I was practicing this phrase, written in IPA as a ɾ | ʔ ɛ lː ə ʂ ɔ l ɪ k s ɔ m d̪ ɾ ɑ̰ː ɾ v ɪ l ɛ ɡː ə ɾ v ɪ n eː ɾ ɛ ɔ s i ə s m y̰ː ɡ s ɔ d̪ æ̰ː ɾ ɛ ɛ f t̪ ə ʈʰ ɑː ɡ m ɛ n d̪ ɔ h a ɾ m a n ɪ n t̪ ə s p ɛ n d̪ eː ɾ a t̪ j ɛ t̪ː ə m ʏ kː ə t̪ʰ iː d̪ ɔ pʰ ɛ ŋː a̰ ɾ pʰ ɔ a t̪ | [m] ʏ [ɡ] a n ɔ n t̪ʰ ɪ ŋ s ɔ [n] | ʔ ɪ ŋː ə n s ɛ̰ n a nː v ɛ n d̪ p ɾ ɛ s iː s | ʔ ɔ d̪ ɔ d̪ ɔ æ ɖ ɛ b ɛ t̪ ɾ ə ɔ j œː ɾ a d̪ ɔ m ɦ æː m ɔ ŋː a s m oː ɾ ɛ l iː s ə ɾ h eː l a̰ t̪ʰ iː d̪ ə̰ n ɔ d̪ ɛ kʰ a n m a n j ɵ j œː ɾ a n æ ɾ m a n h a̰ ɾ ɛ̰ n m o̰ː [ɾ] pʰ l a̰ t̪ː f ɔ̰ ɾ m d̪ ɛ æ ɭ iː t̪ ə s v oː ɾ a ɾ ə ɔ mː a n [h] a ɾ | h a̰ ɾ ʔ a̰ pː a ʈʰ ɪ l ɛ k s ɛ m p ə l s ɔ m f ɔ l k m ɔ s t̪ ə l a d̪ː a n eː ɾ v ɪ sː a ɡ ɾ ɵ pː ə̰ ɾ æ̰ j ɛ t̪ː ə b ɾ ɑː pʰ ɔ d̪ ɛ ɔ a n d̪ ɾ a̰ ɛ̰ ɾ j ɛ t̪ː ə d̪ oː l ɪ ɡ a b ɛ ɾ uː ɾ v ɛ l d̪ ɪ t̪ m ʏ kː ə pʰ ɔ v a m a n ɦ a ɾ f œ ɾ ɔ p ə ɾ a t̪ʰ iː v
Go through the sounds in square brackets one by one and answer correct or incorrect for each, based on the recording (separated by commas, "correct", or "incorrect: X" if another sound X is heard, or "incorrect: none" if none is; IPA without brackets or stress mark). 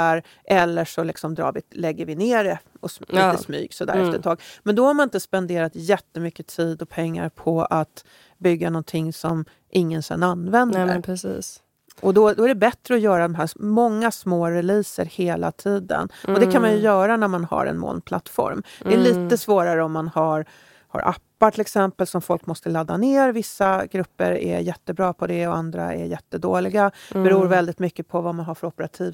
incorrect: b, incorrect: ɡː, incorrect: m, incorrect: l, correct